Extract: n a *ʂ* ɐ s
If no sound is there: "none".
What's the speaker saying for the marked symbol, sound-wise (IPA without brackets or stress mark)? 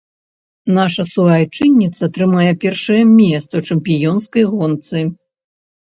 ʂ